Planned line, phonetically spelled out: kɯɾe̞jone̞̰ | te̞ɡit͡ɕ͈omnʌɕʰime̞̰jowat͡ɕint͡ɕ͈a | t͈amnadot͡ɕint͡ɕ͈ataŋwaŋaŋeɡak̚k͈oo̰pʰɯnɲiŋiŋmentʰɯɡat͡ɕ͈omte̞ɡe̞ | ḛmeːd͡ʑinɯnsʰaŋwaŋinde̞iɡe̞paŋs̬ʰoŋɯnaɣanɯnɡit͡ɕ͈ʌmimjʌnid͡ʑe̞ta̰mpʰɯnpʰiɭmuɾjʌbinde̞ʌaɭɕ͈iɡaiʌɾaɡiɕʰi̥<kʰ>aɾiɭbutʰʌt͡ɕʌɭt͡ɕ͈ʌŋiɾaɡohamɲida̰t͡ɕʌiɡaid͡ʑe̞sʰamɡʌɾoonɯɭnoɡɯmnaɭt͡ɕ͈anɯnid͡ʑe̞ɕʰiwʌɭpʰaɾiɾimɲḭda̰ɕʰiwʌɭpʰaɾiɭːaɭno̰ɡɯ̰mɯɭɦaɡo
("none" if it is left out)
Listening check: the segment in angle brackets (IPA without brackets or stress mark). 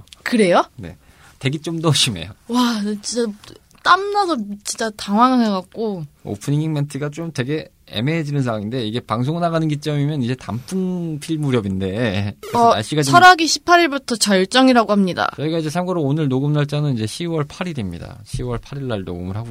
pʰ